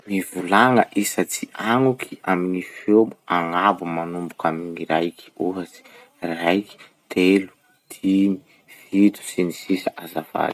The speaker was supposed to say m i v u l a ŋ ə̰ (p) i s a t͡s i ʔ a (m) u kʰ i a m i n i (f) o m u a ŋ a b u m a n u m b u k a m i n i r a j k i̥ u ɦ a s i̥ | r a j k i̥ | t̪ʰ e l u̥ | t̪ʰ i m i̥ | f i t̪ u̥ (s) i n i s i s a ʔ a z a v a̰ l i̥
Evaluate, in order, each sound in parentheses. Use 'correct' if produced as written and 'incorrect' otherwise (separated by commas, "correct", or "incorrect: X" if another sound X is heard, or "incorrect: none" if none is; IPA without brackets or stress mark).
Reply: incorrect: ʔ, incorrect: ŋ, correct, correct